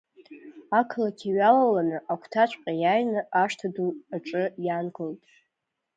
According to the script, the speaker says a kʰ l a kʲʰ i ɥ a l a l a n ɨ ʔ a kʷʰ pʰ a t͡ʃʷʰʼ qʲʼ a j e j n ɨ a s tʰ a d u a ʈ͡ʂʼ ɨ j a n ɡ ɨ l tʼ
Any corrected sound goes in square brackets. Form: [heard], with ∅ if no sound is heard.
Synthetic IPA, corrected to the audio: a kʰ l a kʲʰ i ɥ a l a l a n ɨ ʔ a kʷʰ [tʰ] a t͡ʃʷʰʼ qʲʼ a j [a] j n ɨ a [ʂ] tʰ a d u a ʈ͡ʂʼ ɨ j a n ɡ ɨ l tʼ